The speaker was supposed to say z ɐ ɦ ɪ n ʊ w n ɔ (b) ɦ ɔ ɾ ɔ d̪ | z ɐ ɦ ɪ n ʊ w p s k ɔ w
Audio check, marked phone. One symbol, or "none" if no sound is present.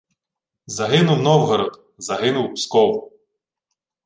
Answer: w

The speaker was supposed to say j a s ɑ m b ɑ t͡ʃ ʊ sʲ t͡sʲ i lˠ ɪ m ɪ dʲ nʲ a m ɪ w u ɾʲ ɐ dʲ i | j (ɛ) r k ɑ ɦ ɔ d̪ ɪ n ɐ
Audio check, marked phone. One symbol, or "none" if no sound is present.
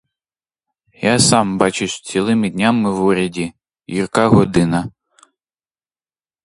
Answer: i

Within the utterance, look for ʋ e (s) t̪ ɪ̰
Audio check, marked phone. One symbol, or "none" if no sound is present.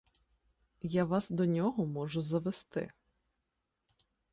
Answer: s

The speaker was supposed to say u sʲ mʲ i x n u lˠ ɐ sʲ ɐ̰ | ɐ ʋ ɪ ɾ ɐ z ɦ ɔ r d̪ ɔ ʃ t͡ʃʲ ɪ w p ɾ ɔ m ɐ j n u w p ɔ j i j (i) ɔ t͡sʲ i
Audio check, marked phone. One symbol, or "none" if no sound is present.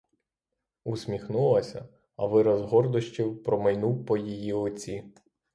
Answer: i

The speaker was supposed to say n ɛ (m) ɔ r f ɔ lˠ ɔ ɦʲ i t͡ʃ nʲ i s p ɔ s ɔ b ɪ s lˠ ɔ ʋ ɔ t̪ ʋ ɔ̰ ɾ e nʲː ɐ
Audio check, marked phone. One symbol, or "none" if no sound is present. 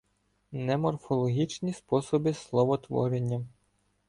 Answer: m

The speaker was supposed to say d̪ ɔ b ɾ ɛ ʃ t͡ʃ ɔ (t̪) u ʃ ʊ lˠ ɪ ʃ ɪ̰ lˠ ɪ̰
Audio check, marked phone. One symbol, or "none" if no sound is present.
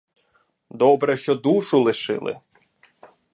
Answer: d̪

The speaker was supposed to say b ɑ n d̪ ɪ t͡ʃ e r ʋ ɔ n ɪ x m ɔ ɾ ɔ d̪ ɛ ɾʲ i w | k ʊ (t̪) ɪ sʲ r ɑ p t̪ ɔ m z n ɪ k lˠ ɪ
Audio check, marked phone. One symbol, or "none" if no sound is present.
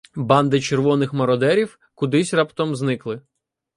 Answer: d̪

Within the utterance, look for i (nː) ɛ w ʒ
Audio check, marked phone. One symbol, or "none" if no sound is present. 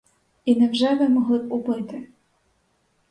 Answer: n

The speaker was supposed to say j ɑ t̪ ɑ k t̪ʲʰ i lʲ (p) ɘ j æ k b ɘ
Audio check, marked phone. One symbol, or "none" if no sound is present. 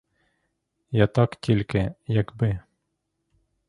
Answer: k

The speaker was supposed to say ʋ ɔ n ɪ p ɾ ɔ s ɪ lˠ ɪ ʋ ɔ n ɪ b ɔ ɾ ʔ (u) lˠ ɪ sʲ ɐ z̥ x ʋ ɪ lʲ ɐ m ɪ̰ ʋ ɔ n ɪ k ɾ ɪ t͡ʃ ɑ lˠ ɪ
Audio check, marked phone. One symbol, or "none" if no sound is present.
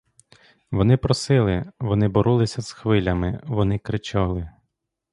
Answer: u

